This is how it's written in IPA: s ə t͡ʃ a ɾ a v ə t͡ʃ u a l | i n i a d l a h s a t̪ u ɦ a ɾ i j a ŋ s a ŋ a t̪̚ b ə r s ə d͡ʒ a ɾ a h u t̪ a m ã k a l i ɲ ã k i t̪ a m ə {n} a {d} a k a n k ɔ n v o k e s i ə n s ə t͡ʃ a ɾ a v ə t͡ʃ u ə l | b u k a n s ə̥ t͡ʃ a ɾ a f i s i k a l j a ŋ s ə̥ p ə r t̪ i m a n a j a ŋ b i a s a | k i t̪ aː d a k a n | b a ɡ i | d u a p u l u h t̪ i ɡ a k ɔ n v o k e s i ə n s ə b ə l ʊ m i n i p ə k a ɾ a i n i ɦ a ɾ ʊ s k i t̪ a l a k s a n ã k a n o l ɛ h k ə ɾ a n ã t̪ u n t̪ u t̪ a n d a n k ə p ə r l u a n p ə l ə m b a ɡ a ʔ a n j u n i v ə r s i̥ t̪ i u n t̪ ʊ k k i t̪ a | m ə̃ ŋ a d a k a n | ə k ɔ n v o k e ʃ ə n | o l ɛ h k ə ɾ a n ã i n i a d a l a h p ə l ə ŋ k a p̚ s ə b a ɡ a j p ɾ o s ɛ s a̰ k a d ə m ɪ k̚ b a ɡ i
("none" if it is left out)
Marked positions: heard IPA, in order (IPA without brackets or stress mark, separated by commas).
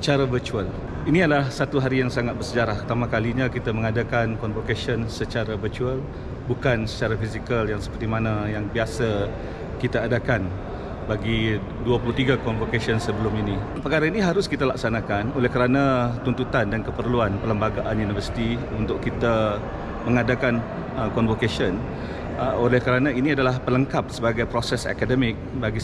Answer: ŋ, d